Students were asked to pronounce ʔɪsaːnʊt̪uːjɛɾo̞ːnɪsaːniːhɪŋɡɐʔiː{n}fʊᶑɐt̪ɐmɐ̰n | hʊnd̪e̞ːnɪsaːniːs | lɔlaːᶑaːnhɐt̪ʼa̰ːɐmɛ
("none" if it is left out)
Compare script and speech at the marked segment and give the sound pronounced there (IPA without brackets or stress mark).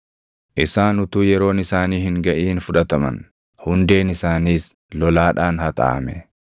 n